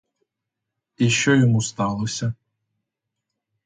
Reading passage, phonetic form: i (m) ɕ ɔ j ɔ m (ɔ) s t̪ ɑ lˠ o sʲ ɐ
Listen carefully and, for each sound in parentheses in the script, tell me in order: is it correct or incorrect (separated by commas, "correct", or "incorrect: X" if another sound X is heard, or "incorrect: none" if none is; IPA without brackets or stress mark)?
incorrect: none, incorrect: u